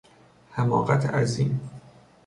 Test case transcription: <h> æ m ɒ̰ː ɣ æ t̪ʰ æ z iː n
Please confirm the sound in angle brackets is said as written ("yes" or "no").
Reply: yes